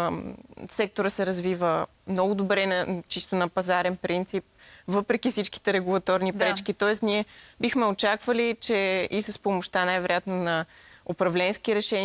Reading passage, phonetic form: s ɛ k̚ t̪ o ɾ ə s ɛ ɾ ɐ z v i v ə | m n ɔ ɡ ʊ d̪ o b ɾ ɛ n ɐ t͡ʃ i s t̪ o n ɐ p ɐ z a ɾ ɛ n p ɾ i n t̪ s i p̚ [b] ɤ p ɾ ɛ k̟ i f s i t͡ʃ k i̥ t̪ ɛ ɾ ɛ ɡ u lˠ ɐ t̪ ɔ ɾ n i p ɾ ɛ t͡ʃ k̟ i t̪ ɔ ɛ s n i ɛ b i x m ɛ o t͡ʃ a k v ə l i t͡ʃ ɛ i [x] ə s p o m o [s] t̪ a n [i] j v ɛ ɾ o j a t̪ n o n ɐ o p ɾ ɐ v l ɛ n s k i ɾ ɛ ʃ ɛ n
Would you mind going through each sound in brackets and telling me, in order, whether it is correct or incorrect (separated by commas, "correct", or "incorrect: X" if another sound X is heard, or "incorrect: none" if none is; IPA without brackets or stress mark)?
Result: incorrect: v, incorrect: s, incorrect: ʃ, incorrect: a